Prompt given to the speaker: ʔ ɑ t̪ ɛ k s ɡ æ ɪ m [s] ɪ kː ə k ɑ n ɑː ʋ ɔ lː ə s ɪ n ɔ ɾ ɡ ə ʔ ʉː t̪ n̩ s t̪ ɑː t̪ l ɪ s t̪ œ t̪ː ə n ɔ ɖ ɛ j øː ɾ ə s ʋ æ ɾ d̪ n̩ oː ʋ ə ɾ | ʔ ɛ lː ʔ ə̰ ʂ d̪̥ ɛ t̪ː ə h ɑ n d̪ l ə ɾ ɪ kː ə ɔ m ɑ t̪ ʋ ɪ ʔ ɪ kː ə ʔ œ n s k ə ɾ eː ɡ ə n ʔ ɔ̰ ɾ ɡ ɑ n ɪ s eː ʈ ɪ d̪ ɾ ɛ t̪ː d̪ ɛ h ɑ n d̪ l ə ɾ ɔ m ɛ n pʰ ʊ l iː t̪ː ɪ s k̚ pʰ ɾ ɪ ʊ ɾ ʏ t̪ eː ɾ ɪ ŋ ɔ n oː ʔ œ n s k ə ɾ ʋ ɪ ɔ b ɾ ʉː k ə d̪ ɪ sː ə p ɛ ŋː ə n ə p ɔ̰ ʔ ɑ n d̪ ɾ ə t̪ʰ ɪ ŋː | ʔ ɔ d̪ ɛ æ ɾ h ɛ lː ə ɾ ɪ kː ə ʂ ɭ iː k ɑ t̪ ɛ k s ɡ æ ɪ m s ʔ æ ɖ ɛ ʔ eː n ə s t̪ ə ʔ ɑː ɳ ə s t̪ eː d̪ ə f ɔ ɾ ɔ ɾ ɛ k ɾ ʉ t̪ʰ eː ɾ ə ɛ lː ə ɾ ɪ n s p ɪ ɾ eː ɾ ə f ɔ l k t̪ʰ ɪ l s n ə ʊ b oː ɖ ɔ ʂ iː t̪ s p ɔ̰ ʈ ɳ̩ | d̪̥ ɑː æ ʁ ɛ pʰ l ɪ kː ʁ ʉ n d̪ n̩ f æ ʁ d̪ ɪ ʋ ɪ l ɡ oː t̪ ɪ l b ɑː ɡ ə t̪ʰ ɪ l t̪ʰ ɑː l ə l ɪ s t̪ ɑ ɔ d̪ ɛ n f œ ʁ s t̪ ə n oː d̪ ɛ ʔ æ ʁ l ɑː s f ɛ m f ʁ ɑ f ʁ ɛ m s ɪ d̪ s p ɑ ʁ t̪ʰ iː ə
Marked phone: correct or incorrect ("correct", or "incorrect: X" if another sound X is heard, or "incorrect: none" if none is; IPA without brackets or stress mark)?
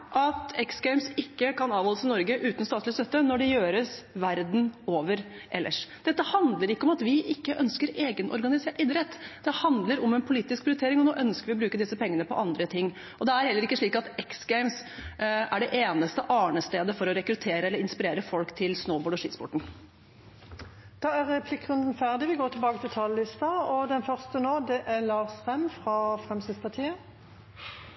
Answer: correct